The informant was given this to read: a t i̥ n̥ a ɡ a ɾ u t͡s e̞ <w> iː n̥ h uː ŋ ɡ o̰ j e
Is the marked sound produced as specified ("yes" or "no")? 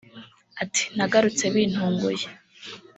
no